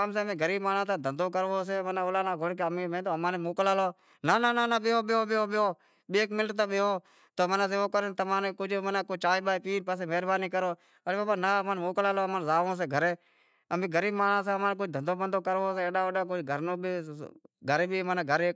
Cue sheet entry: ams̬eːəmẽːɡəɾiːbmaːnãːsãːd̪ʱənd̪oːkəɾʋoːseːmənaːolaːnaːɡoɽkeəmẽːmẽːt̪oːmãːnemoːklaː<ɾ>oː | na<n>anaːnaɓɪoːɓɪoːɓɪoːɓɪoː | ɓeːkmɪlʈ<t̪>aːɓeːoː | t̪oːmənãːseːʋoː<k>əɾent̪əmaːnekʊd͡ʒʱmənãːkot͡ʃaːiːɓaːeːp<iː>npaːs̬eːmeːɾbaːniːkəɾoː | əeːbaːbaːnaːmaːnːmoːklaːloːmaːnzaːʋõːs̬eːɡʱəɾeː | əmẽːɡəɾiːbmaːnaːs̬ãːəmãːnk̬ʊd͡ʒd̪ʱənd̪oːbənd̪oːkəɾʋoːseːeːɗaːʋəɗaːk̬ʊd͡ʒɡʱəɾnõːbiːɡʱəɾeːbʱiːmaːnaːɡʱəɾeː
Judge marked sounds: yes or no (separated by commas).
no, yes, yes, yes, yes